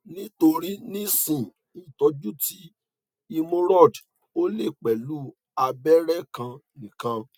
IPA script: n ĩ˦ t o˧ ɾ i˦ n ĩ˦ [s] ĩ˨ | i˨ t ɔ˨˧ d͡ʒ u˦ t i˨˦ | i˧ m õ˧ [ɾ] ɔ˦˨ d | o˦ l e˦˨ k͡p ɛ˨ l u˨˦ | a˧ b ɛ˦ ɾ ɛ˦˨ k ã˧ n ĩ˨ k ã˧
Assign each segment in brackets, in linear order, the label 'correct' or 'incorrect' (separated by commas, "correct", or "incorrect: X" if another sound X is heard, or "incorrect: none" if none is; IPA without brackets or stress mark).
correct, correct